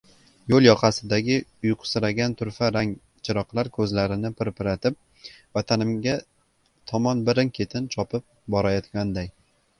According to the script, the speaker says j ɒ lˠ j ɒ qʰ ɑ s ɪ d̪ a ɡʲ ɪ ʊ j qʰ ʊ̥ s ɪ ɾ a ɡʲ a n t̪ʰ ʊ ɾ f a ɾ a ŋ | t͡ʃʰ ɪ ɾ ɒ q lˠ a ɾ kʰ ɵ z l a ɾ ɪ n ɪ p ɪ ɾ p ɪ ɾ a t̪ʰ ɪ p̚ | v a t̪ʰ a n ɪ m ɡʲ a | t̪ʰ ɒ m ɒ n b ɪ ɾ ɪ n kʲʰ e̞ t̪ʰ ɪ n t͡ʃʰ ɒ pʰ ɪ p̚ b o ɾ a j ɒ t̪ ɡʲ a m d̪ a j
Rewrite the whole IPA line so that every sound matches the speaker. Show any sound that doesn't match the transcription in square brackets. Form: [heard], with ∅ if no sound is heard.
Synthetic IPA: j [o] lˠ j ɒ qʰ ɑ s ɪ d̪ a ɡʲ ɪ ʊ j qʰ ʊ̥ s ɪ ɾ a ɡʲ a n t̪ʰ ʊ ɾ f a ɾ a ŋ | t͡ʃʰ ɪ ɾ ɒ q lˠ a ɾ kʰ ɵ z l a ɾ ɪ n ɪ p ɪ ɾ p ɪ ɾ a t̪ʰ ɪ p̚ | v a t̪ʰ a n ɪ m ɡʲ a | t̪ʰ ɒ m ɒ n b ɪ ɾ ɪ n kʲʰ e̞ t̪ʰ ɪ n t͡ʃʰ ɒ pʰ ɪ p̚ b [ɒ] ɾ a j ɒ t̪ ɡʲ a [n] d̪ a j